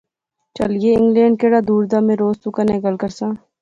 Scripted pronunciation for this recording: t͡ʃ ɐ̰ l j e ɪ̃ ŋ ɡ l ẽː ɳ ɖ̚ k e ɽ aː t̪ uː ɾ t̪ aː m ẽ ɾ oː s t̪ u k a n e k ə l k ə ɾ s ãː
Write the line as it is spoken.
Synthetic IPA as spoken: t͡ʃ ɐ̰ l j e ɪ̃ ŋ ɡ l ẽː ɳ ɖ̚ k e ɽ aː d̪ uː ɾ d̪ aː m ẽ ɾ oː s t̪ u k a n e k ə l k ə ɾ s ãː